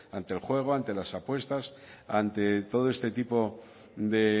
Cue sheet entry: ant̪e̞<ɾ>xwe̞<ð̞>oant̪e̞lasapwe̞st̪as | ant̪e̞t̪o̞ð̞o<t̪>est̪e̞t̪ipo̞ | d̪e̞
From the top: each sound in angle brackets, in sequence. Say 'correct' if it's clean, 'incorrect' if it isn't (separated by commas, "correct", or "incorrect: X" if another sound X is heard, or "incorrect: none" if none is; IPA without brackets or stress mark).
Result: incorrect: l, incorrect: ɣ̞, incorrect: none